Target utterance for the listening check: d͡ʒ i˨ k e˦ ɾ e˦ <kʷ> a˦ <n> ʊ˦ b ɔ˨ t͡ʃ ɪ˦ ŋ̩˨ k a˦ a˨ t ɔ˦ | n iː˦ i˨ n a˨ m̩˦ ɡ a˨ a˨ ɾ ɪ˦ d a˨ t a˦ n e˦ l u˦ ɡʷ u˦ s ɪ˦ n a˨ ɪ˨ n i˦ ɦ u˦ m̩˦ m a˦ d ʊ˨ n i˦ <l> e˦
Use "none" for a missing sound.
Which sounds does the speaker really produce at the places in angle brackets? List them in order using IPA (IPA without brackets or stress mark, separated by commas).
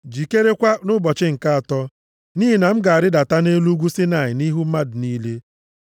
kʷ, n, l